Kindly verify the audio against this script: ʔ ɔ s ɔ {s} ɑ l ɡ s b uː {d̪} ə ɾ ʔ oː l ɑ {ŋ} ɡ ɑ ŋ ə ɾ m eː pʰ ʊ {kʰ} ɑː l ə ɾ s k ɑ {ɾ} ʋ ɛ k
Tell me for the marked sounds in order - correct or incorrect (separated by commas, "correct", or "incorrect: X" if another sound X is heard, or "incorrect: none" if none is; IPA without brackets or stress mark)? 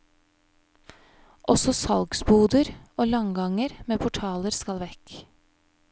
correct, correct, correct, incorrect: ʈʰ, incorrect: l